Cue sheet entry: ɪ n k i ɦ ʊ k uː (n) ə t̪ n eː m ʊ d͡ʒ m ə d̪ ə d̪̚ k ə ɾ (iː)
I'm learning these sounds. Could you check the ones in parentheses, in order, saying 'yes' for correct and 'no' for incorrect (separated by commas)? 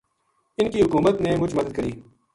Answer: no, yes